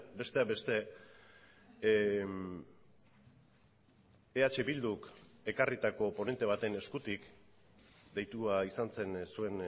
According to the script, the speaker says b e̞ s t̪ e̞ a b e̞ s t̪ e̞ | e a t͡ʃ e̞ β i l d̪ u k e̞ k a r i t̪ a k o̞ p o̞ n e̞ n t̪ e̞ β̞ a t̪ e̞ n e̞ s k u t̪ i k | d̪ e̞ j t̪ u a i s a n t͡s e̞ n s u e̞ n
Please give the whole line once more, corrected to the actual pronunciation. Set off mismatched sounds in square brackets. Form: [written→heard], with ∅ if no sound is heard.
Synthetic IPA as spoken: b e̞ s t̪ e̞ a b e̞ s t̪ e̞ | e a t͡ʃ e̞ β i l d̪ u k e̞ k a r i t̪ a k o̞ p o̞ n e̞ n t̪ e̞ β̞ a t̪ e̞ n e̞ s k u t̪ i k | d̪ e̞ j t̪ u a i s a n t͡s e̞ n s u e̞ n

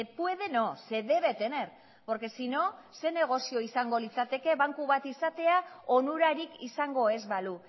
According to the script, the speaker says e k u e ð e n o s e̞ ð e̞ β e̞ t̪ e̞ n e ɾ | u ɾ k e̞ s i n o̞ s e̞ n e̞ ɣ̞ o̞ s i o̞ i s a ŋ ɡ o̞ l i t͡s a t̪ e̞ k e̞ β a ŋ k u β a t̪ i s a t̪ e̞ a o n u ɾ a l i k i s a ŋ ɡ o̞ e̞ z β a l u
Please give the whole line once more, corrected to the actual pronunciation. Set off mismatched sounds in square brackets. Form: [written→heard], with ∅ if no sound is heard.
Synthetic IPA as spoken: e [k→p] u e ð e n o s e̞ ð e̞ β e̞ t̪ e̞ n e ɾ | [u→o] ɾ k e̞ s i n o̞ s e̞ n e̞ ɣ̞ o̞ s i o̞ i s a ŋ ɡ o̞ l i t͡s a t̪ e̞ k e̞ β a ŋ k u β a t̪ i s a t̪ e̞ a o n u ɾ a [l→ɾ] i k i s a ŋ ɡ o̞ e̞ z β a l u

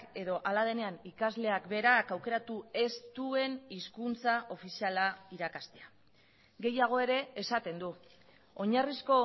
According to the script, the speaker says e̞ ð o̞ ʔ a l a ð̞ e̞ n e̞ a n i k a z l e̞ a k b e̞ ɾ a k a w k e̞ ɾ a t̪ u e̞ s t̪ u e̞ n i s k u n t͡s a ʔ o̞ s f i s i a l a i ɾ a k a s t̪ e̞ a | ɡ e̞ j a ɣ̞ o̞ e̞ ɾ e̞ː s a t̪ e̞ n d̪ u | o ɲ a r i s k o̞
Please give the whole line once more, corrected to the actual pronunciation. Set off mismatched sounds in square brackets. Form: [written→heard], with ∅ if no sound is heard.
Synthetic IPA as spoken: e̞ ð o̞ ʔ a l a ð̞ e̞ n e̞ a n i k a z l e̞ a k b e̞ ɾ a k a w k e̞ ɾ a t̪ u e̞ s t̪ u e̞ n i s k u n t͡s a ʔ o̞ [s→∅] f i s i a l a i ɾ a k a s t̪ e̞ a | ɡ e̞ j a ɣ̞ o̞ e̞ ɾ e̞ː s a t̪ e̞ n d̪ u | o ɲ a r i s k o̞

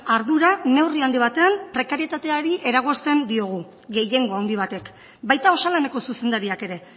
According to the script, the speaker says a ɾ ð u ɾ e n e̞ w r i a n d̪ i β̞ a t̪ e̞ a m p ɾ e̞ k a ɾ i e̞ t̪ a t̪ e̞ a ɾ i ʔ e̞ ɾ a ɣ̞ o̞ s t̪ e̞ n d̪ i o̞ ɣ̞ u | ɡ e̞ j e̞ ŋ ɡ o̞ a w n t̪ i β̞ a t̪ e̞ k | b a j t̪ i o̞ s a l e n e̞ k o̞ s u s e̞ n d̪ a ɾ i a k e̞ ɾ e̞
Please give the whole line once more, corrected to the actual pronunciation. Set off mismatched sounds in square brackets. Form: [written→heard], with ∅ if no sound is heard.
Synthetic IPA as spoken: a ɾ ð u ɾ [e→a] n e̞ w r i a n d̪ i β̞ a t̪ e̞ a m p ɾ e̞ k a ɾ i e̞ t̪ a t̪ e̞ a ɾ i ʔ e̞ ɾ a ɣ̞ o̞ s t̪ e̞ n d̪ i o̞ ɣ̞ u | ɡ e̞ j e̞ ŋ ɡ o̞ a w n [t̪→d̪] i β̞ a t̪ e̞ k | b a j t̪ [i→a] o̞ s a l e n e̞ k o̞ s u s e̞ n d̪ a ɾ i a k e̞ ɾ e̞

